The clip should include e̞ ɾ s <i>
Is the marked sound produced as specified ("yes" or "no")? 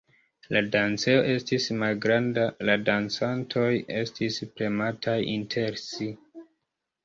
yes